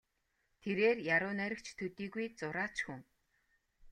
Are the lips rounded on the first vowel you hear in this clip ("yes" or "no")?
no